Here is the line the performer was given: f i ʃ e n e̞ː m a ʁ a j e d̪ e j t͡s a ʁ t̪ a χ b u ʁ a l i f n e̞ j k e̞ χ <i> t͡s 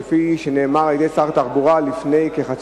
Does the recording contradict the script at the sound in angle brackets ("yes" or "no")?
yes